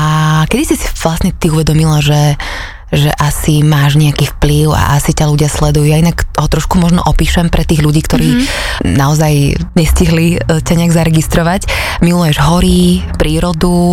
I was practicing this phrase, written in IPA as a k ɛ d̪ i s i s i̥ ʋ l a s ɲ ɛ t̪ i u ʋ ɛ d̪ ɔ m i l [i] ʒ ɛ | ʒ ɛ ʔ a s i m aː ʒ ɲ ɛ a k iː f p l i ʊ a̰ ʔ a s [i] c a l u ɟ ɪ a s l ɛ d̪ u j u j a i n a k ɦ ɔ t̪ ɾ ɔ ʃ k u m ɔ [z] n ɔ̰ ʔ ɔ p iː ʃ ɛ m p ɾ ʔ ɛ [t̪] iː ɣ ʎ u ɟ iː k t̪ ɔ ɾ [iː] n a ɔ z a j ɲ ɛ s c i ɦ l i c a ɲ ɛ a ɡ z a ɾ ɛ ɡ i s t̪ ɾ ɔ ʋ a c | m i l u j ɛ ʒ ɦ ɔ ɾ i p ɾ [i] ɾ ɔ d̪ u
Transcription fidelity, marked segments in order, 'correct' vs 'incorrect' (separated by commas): incorrect, correct, incorrect, correct, correct, incorrect